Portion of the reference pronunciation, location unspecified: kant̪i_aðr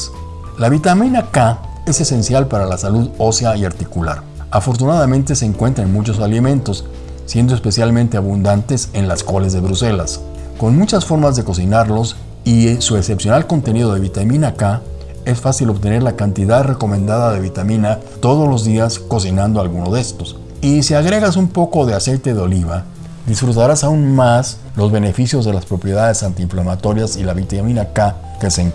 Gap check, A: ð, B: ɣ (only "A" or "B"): A